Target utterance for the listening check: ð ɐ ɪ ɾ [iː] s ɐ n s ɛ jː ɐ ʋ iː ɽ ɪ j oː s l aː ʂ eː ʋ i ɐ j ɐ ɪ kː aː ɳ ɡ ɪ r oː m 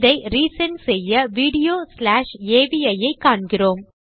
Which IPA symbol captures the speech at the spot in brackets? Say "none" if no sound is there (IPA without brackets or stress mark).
iː